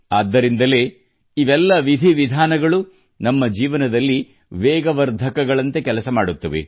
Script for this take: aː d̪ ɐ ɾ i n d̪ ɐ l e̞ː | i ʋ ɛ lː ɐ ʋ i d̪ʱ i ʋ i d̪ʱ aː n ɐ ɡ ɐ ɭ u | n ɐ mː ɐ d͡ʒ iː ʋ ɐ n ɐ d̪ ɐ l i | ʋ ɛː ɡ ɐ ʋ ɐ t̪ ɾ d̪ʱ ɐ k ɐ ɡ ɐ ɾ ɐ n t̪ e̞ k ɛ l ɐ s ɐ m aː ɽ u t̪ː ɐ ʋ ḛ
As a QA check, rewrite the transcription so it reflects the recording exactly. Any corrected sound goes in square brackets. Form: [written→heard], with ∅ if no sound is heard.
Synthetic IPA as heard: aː [d̪→d̪ː] ɐ ɾ i n d̪ ɐ l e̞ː | i ʋ ɛ lː ɐ ʋ i d̪ʱ i ʋ i d̪ʱ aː n ɐ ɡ ɐ ɭ u | n ɐ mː ɐ d͡ʒ iː ʋ ɐ n ɐ d̪ ɐ [l→lː] i | ʋ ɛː ɡ ɐ ʋ ɐ [t̪→∅] ɾ d̪ʱ ɐ k ɐ ɡ ɐ [ɾ→ɭ] ɐ n t̪ e̞ k ɛ l ɐ s ɐ m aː ɽ u t̪ː ɐ ʋ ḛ

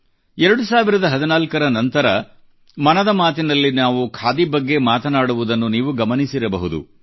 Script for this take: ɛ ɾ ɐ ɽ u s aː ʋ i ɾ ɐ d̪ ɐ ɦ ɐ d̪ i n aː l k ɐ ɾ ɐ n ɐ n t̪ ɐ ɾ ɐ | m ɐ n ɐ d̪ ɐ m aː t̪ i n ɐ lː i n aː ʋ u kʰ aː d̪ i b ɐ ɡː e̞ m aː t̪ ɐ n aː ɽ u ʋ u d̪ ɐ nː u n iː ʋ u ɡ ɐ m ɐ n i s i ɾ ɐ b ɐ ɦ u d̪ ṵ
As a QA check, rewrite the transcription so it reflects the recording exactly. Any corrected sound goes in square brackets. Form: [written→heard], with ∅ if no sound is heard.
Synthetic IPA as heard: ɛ ɾ ɐ ɽ u s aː ʋ i ɾ ɐ d̪ ɐ ɦ ɐ d̪ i n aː l k ɐ ɾ ɐ n ɐ n t̪ ɐ ɾ ɐ | m ɐ n ɐ d̪ ɐ m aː t̪ i n ɐ lː i n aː ʋ u kʰ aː d̪ i b ɐ ɡː e̞ m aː t̪ ɐ n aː ɽ u ʋ u d̪ ɐ nː u n iː ʋ u ɡ ɐ m ɐ n i s i ɾ ɐ b ɐ ɦ u d̪ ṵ

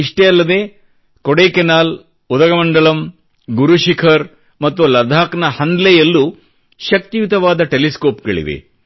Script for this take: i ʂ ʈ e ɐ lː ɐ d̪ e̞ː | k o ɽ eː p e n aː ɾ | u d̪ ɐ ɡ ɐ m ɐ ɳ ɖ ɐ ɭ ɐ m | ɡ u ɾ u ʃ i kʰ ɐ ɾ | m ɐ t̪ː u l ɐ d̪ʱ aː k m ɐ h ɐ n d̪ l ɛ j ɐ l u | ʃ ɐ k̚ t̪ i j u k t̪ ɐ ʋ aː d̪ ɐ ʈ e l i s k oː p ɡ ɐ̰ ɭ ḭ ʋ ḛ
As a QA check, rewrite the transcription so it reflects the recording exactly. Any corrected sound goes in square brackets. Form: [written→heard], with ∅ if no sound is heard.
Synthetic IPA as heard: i ʂ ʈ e ɐ lː ɐ d̪ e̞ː | k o ɽ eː [p→k] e n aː [ɾ→l] | u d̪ ɐ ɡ ɐ m ɐ ɳ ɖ ɐ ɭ ɐ m | ɡ u ɾ u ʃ i kʰ ɐ ɾ | m ɐ t̪ː u l ɐ d̪ʱ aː k [m→n] ɐ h ɐ n d̪ l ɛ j ɐ [l→lː] u | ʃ ɐ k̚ t̪ i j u [k→∅] t̪ ɐ ʋ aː d̪ ɐ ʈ e l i s k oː p ɡ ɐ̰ ɭ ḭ ʋ ḛ

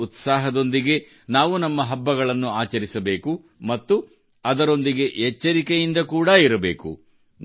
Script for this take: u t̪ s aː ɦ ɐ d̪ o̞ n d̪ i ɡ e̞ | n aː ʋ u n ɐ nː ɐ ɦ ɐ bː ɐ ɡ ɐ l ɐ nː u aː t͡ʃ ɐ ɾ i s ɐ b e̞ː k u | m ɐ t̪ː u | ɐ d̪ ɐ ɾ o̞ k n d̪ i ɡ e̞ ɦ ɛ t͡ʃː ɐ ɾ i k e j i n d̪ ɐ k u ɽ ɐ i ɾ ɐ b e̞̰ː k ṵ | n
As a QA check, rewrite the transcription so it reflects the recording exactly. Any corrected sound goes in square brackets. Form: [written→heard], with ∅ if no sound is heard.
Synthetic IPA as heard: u t̪ s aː ɦ ɐ d̪ o̞ n d̪ i ɡ e̞ | n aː ʋ u n ɐ [nː→mː] ɐ ɦ ɐ bː ɐ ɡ ɐ [l→ɭ] ɐ nː u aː t͡ʃ ɐ ɾ i s ɐ b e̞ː k u | m ɐ t̪ː u | ɐ d̪ ɐ ɾ o̞ [k→∅] n d̪ i ɡ e̞ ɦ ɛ t͡ʃː ɐ ɾ i k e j i n d̪ ɐ k [u→uː] ɽ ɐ i ɾ ɐ b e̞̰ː k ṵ | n

